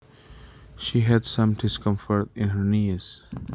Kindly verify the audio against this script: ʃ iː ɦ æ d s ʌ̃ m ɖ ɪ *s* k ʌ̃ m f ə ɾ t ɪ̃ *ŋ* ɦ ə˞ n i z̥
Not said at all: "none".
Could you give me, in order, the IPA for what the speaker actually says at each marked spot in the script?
s, n

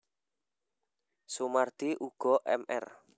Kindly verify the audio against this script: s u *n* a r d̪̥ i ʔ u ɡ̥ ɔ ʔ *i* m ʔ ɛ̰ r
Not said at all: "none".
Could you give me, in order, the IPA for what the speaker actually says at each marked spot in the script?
m, ɛ

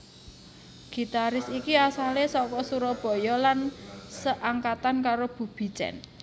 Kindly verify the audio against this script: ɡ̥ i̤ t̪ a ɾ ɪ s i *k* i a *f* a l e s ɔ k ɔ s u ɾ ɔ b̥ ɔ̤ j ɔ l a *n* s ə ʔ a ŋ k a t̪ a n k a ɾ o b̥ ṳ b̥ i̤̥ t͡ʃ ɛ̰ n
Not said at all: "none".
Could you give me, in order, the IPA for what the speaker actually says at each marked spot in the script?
k, s, n

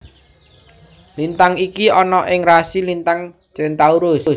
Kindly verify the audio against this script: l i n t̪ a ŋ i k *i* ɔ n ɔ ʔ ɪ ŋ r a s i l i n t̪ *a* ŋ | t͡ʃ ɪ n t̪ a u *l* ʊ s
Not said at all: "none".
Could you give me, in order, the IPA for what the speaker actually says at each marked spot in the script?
i, a, ɾ

